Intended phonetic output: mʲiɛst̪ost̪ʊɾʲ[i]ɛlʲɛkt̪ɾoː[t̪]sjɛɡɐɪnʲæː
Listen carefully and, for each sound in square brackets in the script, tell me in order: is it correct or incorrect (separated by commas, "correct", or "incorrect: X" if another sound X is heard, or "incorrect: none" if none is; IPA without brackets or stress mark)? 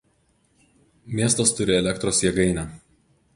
incorrect: ɪ, incorrect: none